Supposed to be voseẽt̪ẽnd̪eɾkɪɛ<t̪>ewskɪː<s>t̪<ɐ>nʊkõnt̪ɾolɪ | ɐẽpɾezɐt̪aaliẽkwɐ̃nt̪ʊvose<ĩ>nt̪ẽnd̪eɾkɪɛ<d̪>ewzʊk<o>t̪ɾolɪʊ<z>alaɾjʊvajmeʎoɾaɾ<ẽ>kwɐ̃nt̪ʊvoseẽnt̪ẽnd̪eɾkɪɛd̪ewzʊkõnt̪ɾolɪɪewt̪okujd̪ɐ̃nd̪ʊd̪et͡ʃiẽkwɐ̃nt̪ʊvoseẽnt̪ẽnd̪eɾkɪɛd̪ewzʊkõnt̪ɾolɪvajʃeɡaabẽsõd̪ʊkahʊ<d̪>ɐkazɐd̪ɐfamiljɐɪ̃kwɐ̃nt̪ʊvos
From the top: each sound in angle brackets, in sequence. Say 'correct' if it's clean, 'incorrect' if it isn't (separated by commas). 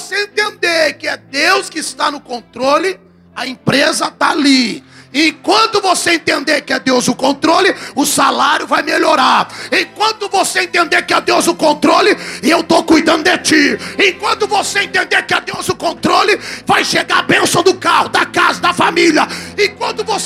incorrect, correct, incorrect, incorrect, correct, incorrect, incorrect, correct, correct